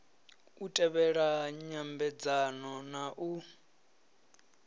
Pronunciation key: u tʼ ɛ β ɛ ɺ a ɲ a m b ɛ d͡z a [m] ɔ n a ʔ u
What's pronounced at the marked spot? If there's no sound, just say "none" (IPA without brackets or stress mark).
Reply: n